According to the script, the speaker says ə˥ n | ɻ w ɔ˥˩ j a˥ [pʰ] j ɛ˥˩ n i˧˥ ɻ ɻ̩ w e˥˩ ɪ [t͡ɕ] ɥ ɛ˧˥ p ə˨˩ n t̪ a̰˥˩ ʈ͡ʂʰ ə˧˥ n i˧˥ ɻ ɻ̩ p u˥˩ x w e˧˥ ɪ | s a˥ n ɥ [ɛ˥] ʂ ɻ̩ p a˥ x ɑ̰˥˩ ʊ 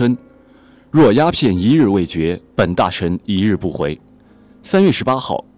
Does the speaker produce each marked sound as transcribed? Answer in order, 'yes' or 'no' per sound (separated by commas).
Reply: yes, yes, no